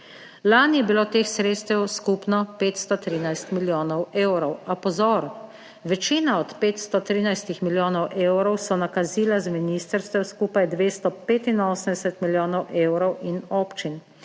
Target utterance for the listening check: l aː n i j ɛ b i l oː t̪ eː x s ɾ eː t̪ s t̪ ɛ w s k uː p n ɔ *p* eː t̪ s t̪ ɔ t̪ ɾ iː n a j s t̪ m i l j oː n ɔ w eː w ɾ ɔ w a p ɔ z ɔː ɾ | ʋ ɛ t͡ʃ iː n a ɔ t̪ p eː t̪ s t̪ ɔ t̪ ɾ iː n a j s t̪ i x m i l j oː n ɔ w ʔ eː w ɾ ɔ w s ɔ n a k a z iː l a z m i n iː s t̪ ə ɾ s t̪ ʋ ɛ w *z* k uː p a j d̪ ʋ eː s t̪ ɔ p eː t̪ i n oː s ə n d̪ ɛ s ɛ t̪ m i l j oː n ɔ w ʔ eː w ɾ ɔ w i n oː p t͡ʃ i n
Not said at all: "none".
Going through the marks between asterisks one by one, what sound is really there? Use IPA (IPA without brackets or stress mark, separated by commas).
p, s